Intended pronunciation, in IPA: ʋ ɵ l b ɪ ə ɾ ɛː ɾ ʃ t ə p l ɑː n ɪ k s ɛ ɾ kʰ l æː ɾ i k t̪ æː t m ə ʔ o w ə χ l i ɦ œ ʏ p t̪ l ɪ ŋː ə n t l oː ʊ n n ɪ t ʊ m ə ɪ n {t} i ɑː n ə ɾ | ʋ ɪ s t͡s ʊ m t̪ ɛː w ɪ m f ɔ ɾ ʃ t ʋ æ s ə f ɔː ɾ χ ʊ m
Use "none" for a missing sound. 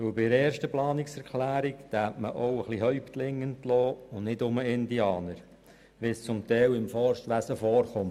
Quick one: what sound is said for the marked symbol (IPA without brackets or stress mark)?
d